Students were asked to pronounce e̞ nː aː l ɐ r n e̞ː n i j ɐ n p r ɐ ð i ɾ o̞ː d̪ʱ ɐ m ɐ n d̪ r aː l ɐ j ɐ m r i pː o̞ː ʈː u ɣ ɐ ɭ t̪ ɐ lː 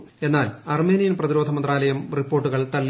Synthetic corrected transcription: e̞ nː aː l ɐ r m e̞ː n i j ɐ n p r ɐ ð i ɾ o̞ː d̪ʱ ɐ m ɐ n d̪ r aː l ɐ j ɐ m r i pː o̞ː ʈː u ɣ ɐ ɭ t̪ ɐ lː